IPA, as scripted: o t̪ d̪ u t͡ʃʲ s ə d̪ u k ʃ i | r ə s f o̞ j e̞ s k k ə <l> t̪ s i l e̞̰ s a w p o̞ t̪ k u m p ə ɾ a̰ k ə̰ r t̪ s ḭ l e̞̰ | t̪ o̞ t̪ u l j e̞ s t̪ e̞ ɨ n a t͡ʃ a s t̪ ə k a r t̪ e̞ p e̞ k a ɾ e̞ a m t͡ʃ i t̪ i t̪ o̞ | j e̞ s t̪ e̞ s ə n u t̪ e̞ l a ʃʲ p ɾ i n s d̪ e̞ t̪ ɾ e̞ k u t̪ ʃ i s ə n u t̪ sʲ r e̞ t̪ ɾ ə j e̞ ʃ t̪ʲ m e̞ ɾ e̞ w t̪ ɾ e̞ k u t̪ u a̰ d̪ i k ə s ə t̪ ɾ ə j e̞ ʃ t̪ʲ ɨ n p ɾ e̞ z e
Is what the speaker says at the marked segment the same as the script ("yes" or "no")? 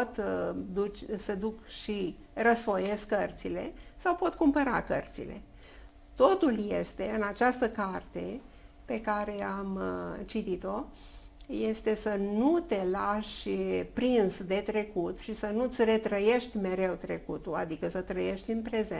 no